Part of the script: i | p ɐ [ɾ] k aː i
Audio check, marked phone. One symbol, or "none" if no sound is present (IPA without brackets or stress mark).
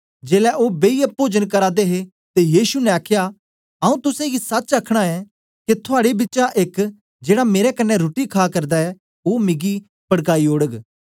ɽ